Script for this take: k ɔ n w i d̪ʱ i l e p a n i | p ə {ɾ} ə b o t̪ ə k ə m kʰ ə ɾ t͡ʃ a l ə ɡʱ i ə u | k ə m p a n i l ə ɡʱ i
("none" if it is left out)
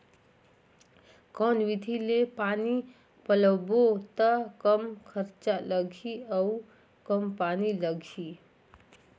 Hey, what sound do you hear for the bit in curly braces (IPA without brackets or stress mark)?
l